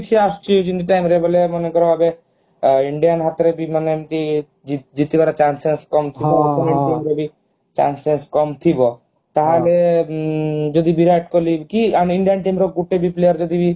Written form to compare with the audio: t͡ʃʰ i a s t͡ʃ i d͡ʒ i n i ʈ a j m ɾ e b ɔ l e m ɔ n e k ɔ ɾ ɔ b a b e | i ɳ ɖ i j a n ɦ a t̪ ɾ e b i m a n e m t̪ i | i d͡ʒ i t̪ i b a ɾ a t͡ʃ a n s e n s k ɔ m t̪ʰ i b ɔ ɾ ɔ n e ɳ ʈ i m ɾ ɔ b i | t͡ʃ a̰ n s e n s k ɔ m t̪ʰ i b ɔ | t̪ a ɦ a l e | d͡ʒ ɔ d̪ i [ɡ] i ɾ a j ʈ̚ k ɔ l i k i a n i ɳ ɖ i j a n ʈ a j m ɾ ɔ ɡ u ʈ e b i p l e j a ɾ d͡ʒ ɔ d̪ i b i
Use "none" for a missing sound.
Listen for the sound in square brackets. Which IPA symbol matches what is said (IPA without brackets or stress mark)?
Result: b